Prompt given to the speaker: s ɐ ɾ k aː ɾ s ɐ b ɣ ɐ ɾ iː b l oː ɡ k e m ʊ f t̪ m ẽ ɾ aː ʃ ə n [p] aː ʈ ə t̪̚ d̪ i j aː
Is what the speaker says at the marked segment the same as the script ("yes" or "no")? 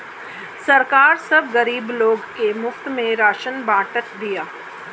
no